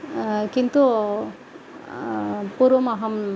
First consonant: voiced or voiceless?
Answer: voiceless